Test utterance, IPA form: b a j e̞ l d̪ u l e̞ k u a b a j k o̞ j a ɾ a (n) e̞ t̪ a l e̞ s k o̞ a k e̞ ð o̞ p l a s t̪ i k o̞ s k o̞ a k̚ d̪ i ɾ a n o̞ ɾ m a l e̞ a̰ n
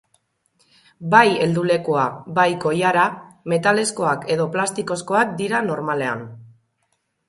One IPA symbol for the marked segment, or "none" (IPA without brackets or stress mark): m